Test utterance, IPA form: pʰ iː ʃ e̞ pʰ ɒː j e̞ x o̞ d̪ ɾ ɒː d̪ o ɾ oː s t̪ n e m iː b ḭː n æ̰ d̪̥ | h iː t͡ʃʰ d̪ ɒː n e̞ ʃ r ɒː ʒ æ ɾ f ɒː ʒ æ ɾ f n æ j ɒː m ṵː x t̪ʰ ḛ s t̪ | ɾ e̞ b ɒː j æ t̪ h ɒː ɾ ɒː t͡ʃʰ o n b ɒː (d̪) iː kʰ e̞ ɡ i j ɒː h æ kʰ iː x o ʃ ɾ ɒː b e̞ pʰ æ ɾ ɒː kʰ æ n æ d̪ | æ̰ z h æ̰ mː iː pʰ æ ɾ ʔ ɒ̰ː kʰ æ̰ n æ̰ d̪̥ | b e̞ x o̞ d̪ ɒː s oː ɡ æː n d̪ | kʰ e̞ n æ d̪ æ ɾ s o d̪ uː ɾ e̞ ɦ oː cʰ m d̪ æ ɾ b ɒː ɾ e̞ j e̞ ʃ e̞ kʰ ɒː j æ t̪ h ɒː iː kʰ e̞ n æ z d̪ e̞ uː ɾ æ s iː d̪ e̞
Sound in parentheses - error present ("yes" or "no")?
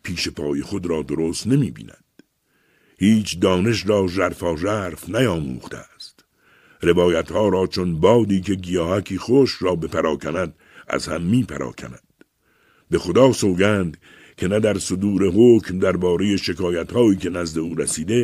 no